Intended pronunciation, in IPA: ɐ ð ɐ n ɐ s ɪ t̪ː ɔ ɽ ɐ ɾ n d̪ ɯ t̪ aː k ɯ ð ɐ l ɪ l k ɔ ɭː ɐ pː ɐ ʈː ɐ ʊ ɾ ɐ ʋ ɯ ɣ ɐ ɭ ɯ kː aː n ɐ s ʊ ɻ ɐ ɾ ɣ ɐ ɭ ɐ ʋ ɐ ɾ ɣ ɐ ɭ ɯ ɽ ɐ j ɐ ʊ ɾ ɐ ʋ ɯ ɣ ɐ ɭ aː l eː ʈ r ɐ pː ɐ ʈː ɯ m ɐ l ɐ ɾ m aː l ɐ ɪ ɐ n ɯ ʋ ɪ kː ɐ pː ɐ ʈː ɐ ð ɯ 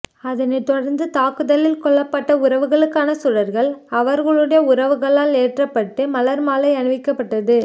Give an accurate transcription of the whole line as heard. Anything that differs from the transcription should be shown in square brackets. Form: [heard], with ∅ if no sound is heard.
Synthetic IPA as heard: ɐ ð ɐ n ɐ [∅] ɪ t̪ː ɔ ɽ ɐ ɾ n d̪ ɯ t̪ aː k ɯ ð ɐ l ɪ l k ɔ ɭː ɐ pː ɐ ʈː ɐ ʊ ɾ ɐ ʋ ɯ ɣ ɐ ɭ ɯ kː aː n ɐ s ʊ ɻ ɐ ɾ ɣ ɐ ɭ ɐ ʋ ɐ ɾ ɣ ɐ ɭ ɯ ɽ ɐ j ɐ ʊ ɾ ɐ ʋ ɯ ɣ ɐ ɭ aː l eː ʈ r ɐ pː ɐ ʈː ɯ m ɐ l ɐ ɾ m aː l ɐ ɪ ɐ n ɯ ʋ ɪ kː ɐ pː ɐ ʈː ɐ ð ɯ